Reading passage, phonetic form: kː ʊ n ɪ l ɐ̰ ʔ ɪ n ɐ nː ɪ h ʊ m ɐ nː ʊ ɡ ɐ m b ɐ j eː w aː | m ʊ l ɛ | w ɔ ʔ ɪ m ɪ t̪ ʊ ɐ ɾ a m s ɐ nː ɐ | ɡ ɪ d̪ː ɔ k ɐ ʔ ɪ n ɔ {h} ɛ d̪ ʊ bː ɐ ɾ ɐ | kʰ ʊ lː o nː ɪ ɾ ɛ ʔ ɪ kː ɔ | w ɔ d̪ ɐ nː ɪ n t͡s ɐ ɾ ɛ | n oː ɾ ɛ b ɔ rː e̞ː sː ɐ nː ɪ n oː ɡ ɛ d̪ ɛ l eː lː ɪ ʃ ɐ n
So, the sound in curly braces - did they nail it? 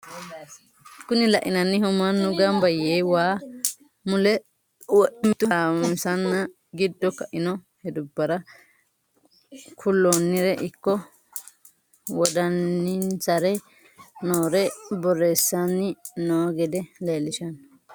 yes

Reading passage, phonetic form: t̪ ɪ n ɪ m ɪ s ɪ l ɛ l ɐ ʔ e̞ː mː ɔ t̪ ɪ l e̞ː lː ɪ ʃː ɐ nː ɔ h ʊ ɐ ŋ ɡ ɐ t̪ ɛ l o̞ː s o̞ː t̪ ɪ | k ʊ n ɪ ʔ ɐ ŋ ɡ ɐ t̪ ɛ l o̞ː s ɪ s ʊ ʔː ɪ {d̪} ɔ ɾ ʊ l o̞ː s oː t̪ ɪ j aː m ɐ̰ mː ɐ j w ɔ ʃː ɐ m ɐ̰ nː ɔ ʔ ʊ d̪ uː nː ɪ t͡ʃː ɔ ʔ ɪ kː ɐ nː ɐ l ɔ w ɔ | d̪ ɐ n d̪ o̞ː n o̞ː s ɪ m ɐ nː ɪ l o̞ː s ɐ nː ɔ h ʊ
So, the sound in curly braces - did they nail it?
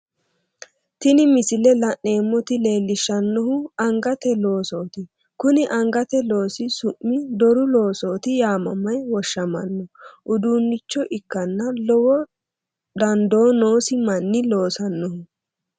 yes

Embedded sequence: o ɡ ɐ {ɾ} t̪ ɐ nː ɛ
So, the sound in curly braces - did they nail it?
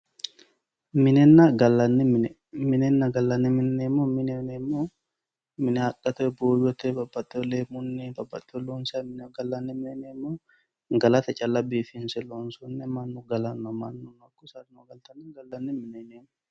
no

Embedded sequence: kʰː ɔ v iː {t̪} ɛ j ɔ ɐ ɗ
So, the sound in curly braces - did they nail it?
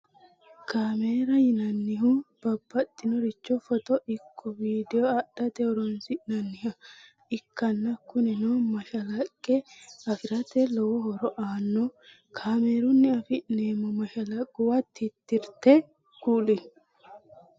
no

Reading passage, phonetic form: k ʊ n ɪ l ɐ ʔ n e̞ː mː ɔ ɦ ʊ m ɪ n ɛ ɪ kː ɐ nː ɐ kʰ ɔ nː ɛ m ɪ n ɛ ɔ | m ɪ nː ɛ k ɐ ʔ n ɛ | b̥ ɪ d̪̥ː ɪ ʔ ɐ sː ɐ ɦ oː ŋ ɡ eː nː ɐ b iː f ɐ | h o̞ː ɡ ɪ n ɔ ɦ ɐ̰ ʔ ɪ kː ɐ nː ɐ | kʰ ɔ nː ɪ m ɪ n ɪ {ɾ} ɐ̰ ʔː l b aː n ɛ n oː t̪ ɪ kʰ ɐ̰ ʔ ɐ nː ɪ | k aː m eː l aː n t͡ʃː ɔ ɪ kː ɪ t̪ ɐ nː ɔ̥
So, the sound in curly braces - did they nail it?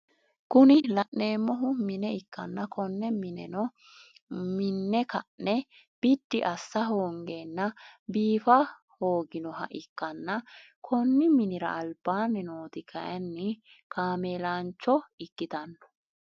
yes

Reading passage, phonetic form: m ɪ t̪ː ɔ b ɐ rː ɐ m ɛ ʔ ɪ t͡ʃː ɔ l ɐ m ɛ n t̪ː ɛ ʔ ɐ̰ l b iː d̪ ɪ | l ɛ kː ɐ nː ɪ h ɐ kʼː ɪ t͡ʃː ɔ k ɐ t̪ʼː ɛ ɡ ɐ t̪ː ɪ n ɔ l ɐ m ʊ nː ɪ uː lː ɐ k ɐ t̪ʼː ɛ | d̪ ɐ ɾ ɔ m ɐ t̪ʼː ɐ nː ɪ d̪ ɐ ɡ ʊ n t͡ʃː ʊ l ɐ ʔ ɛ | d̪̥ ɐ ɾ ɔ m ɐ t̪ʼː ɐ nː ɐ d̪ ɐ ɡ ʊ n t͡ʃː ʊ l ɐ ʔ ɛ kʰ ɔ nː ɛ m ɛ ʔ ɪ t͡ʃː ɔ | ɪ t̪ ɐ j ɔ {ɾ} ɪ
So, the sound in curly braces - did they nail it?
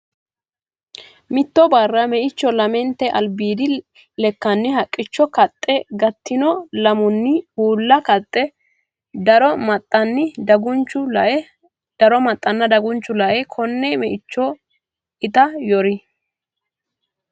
yes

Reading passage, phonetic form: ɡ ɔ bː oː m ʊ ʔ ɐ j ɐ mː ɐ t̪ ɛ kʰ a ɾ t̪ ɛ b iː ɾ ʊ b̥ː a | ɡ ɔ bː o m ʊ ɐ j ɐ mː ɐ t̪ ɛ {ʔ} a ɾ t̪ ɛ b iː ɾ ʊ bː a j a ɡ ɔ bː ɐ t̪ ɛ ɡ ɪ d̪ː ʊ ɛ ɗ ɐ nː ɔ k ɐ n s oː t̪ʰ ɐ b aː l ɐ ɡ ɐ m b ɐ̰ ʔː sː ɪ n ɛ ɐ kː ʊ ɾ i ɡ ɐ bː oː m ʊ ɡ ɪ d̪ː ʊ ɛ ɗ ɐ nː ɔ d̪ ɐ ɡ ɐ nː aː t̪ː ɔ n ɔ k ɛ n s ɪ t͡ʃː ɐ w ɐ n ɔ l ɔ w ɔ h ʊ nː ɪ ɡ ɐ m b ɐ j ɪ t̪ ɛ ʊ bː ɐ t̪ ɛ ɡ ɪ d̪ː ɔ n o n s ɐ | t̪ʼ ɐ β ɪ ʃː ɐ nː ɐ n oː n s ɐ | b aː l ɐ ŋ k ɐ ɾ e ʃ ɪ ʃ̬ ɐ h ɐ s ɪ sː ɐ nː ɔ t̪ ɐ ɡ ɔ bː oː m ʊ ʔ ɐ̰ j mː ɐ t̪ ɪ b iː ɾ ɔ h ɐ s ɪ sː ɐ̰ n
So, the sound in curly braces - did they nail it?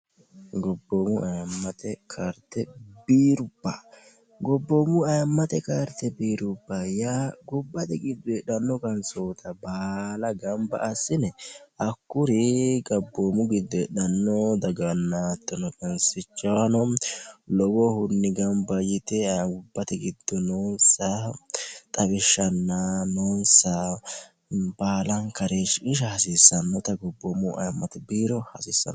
no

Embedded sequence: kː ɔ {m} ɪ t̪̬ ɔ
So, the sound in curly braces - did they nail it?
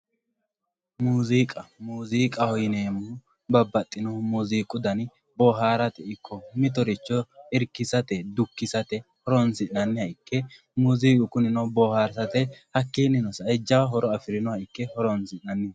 yes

